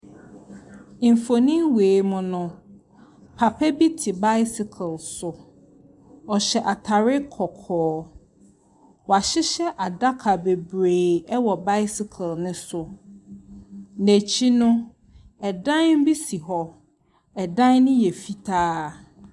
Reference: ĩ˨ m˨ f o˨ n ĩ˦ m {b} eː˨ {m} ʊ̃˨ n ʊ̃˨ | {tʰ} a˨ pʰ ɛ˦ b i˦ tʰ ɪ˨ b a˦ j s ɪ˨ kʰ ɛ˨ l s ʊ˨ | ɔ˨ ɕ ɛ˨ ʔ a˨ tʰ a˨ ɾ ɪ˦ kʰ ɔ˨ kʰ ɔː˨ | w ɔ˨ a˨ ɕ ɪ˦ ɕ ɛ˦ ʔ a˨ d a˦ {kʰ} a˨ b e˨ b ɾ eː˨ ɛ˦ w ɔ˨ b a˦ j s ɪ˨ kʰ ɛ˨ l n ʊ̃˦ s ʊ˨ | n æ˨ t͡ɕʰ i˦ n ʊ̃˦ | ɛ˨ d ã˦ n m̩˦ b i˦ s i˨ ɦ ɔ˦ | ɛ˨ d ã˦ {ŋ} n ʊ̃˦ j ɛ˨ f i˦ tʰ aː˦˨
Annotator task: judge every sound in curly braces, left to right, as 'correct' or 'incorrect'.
incorrect: w, correct, incorrect: pʰ, correct, incorrect: n

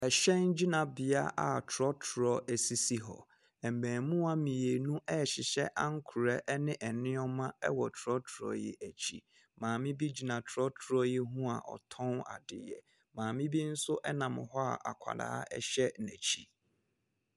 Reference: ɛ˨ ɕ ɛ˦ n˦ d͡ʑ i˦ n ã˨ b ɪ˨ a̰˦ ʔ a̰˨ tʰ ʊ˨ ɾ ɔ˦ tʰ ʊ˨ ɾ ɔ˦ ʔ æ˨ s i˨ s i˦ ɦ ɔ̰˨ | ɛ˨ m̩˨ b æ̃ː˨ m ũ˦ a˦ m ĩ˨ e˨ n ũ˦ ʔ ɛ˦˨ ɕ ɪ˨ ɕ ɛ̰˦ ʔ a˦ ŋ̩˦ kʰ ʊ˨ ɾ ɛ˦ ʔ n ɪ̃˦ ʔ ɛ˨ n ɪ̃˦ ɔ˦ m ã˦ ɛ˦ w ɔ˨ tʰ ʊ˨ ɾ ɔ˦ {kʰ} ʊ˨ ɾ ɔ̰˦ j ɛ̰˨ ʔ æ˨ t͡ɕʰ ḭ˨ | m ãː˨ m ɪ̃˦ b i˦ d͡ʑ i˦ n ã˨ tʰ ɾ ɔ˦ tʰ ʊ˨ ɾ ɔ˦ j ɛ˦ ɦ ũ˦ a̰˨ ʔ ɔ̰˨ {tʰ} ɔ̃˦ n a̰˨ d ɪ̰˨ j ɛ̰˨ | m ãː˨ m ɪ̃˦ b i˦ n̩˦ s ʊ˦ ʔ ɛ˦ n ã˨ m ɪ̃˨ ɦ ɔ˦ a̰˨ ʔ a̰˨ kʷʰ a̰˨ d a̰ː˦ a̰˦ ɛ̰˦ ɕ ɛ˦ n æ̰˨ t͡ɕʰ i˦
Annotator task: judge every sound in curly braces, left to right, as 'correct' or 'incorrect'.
incorrect: tʰ, correct

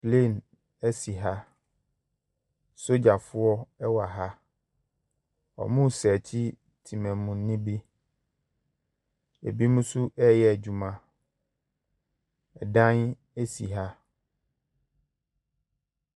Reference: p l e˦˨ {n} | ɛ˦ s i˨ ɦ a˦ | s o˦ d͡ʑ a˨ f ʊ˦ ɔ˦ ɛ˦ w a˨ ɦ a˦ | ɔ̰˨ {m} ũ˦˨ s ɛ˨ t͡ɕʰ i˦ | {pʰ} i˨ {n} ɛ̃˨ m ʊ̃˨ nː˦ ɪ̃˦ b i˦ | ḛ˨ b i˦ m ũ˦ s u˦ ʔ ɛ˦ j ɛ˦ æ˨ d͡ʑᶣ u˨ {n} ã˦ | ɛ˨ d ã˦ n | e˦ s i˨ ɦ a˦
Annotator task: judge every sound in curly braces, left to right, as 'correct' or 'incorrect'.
correct, correct, incorrect: tʰ, incorrect: m, incorrect: m

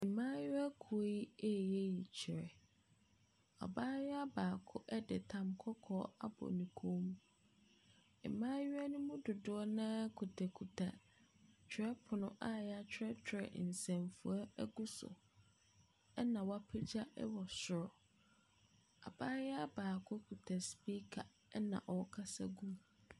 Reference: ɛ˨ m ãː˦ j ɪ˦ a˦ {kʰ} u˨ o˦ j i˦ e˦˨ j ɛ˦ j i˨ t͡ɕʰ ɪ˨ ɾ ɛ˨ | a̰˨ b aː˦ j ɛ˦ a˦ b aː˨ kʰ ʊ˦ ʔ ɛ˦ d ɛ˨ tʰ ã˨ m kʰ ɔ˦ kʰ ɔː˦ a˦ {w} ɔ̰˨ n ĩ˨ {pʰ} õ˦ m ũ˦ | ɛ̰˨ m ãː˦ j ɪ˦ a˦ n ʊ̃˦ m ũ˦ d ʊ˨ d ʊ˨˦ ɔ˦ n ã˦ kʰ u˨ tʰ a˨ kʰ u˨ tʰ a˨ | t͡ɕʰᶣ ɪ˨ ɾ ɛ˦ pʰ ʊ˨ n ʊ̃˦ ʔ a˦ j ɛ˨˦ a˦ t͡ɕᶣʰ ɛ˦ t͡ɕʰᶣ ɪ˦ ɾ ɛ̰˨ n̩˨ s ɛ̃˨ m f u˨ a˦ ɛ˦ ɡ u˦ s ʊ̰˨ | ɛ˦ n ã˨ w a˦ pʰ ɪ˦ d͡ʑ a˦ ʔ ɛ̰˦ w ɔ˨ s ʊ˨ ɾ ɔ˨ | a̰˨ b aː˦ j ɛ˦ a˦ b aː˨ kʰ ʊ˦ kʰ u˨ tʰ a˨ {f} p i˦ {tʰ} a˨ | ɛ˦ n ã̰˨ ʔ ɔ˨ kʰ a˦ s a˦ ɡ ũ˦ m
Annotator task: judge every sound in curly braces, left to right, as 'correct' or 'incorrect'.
correct, incorrect: b, incorrect: kʰ, incorrect: s, incorrect: kʰ

